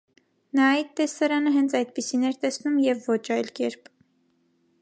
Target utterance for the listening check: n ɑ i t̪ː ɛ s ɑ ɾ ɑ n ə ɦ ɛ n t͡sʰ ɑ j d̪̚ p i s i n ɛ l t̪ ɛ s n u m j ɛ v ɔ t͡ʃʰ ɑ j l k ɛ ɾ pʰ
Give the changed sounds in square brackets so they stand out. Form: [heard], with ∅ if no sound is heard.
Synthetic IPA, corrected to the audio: n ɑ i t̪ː ɛ s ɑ ɾ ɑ n ə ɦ ɛ n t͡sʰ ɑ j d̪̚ p i s i n ɛ [ɾ] t̪ ɛ s n u m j ɛ [vː] ɔ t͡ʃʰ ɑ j l k ɛ ɾ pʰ